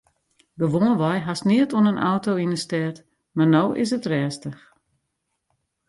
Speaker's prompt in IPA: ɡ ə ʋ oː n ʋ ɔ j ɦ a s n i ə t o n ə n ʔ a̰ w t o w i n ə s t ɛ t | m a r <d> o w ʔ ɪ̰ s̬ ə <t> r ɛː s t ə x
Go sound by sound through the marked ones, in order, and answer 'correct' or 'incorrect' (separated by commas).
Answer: incorrect, correct